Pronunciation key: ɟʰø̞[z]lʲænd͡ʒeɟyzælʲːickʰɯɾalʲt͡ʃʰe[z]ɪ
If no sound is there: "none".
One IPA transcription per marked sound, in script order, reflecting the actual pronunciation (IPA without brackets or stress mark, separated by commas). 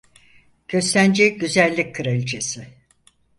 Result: s, s